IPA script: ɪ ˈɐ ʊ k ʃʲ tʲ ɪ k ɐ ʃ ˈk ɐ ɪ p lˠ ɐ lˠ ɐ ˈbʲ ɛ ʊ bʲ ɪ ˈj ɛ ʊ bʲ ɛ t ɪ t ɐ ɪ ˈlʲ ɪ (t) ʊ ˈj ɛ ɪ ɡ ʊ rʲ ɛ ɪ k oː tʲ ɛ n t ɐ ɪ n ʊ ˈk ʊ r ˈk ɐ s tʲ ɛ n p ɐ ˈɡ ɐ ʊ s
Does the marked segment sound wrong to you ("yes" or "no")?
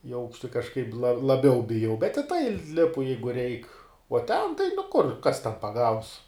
yes